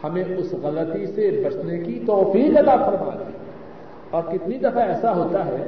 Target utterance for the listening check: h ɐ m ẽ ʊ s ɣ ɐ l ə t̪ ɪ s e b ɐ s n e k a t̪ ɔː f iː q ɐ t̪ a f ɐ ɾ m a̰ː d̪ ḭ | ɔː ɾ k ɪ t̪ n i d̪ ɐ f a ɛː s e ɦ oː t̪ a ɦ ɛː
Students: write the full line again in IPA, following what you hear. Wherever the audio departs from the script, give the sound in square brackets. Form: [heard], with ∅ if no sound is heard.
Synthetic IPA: h ɐ m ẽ ʊ s ɣ ɐ l ə t̪ [i] s e b ɐ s n e k [i] t̪ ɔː f iː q ɐ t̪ a f ɐ ɾ m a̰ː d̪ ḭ | ɔː ɾ k ɪ t̪ n i d̪ ɐ f a ɛː s [a] ɦ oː t̪ a ɦ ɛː